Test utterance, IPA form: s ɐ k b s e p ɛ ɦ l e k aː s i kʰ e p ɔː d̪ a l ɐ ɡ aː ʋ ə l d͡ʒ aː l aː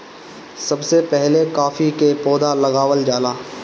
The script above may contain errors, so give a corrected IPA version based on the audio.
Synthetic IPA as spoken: s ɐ b s e p ɛ ɦ l e k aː f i k e p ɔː d̪ a l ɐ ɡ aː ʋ ə l d͡ʒ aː l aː